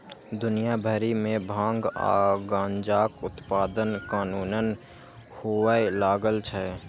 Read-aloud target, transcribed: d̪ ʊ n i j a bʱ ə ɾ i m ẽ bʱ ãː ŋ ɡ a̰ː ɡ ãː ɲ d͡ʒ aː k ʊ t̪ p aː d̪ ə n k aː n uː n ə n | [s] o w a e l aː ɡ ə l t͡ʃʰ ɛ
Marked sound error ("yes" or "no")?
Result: yes